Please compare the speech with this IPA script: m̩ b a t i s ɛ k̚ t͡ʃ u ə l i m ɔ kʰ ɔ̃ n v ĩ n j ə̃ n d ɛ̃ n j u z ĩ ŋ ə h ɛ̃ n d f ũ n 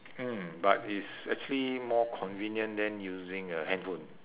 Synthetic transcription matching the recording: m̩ b a t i s ɛ k̚ t͡ʃ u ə l i m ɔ kʰ ɔ̃ n v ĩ n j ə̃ n d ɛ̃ n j u z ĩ ŋ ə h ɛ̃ n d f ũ n